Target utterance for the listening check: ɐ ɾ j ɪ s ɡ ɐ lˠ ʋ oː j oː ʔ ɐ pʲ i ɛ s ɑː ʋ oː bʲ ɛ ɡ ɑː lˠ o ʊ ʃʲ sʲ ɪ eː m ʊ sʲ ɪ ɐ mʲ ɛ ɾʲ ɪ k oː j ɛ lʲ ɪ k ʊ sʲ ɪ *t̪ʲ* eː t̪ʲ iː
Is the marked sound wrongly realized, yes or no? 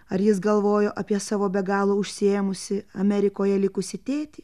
no